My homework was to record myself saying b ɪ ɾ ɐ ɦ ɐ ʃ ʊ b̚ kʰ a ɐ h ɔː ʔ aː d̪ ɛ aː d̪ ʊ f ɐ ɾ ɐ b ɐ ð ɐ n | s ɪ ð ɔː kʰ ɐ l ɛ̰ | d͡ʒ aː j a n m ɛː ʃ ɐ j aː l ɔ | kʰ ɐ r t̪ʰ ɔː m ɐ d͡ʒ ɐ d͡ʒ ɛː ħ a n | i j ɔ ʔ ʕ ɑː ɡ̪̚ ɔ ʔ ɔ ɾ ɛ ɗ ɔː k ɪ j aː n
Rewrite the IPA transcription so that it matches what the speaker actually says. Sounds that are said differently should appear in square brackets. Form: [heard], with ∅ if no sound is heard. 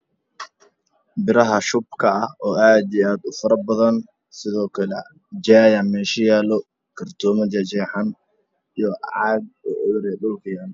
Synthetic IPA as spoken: b ɪ ɾ ɐ ɦ ɐ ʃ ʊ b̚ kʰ [ɐ] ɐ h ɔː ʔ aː d̪ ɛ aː d̪ ʊ f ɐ ɾ ɐ b ɐ ð ɐ n | s ɪ ð ɔː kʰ ɐ l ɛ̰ | d͡ʒ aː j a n m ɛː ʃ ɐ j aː l ɔ | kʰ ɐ r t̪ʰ ɔː m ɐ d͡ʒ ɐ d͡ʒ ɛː ħ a n | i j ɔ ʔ ʕ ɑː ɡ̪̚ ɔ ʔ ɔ ɾ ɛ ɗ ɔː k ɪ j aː n